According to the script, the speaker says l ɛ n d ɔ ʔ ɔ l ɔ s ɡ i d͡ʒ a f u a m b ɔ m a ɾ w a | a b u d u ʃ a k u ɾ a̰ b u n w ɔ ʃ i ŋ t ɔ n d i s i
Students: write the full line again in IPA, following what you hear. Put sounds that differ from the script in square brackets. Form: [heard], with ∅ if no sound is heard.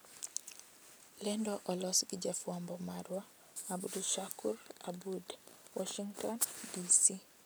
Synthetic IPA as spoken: l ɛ n d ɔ ʔ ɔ l ɔ s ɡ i d͡ʒ a f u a m b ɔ m a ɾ w a | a b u d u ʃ a k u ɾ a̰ b u [d] w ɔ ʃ i ŋ t ɔ n d i s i